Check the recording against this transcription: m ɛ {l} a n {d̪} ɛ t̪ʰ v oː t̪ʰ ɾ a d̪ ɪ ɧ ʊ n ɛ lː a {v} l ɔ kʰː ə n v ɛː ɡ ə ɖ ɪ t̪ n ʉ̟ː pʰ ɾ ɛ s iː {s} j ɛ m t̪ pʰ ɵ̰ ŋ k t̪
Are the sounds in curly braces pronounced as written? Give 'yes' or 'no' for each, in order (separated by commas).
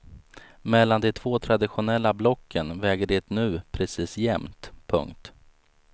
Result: no, yes, no, yes